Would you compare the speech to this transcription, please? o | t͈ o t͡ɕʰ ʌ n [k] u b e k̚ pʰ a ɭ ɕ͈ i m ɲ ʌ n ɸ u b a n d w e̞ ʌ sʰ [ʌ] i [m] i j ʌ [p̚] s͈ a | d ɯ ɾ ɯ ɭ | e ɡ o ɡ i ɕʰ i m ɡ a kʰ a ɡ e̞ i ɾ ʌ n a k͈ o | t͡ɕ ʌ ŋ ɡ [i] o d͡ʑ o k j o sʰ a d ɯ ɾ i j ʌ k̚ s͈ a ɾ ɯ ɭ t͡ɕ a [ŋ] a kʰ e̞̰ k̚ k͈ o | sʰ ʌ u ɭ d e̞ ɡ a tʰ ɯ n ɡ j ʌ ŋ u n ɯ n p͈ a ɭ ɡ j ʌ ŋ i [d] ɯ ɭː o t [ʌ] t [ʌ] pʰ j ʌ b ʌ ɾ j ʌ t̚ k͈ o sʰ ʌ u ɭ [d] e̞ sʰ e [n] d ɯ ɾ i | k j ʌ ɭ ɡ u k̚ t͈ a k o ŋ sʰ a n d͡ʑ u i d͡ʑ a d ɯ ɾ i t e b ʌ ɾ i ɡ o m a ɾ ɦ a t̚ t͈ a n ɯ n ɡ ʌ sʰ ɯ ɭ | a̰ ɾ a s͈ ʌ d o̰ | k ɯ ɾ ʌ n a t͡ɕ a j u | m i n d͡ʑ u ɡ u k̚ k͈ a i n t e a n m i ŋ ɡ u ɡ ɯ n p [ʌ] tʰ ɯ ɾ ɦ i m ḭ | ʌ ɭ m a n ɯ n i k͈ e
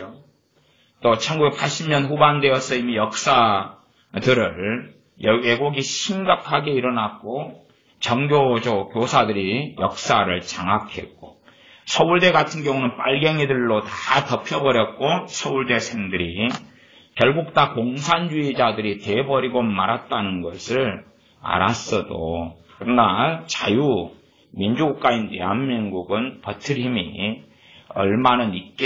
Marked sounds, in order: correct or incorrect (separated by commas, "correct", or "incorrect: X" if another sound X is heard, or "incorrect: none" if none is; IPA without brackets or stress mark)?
incorrect: ɡ, correct, correct, incorrect: k̚, incorrect: j, correct, correct, incorrect: a, correct, correct, incorrect: ŋ, correct